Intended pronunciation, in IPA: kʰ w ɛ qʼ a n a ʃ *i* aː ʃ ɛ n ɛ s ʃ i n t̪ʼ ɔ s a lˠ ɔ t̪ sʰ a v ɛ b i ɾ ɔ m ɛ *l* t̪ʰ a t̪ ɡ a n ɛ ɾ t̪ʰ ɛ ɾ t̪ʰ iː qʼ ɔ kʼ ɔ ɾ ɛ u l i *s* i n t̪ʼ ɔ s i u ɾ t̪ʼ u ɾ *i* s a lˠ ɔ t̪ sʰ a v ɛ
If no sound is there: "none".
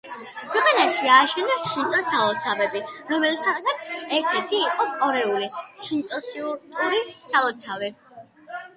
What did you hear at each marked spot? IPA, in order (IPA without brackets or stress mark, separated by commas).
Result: i, l, ʃ, i